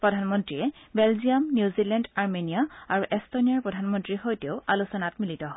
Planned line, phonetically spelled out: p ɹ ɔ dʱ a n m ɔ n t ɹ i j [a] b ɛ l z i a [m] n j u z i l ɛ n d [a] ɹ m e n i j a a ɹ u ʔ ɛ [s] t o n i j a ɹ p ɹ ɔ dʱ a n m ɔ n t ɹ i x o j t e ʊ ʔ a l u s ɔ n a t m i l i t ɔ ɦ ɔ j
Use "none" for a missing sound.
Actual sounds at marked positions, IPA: ɛ, m, a, s

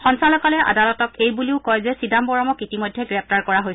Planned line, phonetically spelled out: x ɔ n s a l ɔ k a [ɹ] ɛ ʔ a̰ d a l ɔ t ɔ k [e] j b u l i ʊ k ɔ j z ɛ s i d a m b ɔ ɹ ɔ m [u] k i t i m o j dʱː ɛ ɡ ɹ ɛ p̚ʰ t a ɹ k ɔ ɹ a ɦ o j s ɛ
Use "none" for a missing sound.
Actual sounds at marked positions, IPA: l, e, ɔ

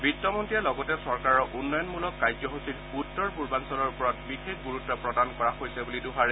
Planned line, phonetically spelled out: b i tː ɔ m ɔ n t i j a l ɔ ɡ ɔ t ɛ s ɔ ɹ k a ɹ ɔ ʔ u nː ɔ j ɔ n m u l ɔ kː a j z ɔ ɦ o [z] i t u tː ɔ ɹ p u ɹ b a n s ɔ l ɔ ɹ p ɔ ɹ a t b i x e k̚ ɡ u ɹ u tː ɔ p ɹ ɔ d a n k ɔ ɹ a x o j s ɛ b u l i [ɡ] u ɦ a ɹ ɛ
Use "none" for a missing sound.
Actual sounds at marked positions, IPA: s, d

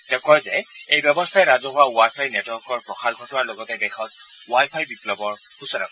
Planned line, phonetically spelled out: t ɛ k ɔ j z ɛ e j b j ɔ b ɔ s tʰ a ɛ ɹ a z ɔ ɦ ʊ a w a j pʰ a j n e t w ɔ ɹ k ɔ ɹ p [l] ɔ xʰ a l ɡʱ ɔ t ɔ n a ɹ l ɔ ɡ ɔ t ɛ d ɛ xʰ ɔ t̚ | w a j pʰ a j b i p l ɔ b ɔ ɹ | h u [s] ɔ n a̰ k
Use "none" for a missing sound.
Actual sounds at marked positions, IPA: ɹ, s

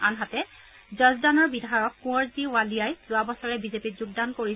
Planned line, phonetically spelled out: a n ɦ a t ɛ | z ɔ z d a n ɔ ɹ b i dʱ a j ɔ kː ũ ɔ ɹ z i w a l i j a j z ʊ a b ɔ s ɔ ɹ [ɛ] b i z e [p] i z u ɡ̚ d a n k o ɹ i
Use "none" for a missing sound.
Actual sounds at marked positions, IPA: ɛ, p

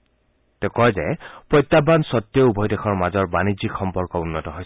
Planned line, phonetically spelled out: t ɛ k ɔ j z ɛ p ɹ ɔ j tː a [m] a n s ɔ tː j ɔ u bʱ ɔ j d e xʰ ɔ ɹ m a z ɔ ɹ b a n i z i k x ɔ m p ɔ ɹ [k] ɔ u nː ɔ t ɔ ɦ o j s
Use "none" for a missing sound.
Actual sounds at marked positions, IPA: b, k

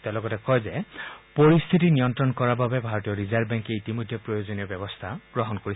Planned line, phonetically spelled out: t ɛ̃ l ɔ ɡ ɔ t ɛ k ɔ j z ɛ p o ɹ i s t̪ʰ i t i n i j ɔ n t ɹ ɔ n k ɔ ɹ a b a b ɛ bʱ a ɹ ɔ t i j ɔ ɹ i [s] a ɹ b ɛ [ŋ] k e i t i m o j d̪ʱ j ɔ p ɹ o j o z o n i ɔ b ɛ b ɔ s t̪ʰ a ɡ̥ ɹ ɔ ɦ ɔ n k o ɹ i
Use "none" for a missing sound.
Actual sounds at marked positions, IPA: z, ŋ

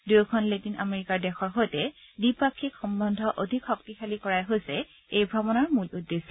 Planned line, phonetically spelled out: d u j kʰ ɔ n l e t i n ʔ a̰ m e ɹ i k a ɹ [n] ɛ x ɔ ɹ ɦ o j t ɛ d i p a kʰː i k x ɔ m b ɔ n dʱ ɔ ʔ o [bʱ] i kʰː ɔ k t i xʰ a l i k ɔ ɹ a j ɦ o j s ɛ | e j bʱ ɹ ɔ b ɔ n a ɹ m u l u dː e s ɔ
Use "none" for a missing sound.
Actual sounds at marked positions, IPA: d, dʱ

